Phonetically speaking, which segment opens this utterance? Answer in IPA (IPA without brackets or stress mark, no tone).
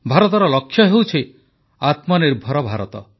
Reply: bʱ